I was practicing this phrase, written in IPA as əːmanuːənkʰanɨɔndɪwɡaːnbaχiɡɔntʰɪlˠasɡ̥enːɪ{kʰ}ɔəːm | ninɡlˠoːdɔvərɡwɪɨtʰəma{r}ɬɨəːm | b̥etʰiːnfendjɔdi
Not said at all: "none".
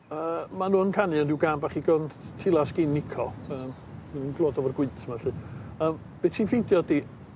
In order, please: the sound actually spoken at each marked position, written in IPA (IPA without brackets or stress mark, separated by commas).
kʰ, none